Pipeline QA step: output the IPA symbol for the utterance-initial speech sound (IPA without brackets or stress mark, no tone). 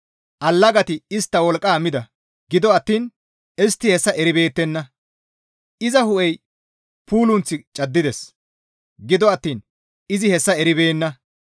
ʔ